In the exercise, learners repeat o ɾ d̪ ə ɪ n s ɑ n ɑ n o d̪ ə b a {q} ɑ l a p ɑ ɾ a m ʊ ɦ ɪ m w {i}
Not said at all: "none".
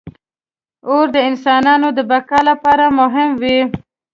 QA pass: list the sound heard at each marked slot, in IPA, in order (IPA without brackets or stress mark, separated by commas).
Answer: k, i